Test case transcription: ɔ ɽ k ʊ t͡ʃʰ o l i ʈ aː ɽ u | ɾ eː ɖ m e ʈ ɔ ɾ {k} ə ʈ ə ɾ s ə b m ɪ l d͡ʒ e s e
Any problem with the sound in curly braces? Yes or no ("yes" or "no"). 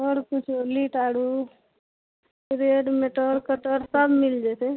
no